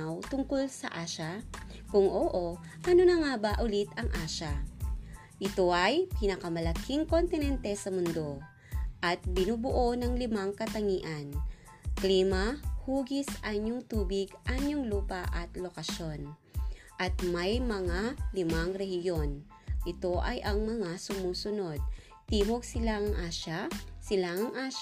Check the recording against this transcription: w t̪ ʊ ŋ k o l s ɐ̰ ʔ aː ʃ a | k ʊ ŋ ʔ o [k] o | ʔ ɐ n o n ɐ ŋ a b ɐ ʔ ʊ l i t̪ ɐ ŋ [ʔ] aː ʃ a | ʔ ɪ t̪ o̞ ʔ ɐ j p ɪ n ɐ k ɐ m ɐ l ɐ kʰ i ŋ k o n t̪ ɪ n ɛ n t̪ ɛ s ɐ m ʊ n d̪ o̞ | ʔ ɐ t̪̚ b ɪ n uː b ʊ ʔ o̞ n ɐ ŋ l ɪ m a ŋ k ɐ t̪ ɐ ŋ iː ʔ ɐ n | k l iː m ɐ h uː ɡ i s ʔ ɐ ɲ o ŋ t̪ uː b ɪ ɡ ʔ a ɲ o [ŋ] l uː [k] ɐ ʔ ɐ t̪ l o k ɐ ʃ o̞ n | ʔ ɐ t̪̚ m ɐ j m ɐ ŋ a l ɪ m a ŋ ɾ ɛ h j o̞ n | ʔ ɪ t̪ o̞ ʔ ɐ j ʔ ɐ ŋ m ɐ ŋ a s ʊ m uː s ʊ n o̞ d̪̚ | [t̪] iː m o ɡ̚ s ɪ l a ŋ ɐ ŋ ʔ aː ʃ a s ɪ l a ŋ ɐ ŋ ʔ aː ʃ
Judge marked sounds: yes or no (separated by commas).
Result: no, yes, yes, no, yes